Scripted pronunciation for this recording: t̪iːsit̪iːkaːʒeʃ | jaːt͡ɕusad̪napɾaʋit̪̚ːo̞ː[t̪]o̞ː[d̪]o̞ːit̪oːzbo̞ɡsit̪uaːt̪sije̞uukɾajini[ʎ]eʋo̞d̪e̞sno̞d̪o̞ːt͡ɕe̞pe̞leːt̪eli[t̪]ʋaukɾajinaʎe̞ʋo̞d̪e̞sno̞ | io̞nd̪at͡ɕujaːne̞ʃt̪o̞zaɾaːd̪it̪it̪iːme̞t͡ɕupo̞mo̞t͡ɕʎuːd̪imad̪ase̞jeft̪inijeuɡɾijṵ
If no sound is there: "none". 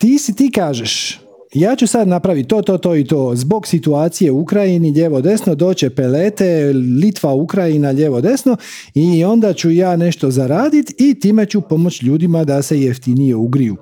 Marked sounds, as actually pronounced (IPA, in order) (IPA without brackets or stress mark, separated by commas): t̪, t̪, ʎ, t̪